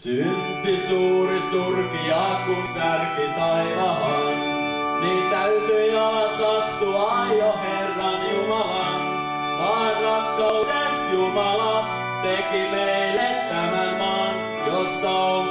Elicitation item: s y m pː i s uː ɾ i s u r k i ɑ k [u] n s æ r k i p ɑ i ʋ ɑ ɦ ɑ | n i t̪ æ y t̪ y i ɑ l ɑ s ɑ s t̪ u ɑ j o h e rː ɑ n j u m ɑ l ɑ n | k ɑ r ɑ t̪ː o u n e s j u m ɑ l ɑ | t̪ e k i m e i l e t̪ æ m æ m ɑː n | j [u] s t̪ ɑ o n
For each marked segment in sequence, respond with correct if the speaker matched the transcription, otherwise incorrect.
correct, incorrect: o

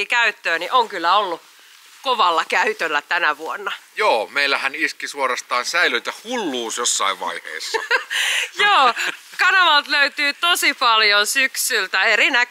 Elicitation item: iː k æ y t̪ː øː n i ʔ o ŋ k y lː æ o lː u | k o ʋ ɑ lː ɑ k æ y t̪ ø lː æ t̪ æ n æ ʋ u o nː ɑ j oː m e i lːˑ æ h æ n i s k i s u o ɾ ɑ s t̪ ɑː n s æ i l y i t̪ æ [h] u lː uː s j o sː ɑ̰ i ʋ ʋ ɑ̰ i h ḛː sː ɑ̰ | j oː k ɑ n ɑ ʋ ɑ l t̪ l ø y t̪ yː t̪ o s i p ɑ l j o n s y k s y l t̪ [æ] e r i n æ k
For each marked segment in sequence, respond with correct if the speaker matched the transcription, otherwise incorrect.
correct, correct

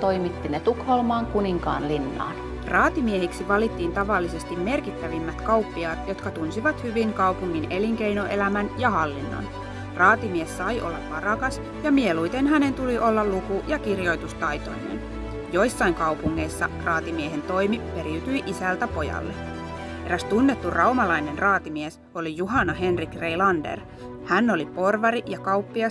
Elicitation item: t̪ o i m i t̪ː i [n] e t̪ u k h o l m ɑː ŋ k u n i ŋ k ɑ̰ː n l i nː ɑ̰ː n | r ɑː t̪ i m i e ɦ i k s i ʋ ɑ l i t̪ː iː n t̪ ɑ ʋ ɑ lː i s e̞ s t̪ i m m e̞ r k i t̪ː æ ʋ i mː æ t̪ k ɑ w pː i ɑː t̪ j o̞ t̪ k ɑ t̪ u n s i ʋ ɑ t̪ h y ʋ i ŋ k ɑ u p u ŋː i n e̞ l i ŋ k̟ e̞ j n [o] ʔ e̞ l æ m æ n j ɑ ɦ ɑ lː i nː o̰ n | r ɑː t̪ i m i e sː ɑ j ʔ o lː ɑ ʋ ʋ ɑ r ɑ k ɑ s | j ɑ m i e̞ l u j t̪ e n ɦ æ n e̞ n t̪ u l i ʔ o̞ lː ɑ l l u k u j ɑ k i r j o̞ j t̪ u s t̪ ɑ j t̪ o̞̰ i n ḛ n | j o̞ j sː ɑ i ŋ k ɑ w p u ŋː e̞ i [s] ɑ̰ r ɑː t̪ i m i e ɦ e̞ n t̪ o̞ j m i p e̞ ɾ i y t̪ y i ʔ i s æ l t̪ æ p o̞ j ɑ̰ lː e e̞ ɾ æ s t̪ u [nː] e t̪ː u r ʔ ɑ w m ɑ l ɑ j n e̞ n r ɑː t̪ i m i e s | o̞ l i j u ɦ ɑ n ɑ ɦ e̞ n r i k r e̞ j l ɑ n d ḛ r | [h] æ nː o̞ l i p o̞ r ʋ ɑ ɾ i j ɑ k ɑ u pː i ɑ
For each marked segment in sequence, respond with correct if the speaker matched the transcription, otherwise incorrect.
correct, correct, incorrect: sː, correct, correct

